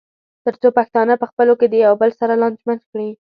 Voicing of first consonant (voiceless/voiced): voiceless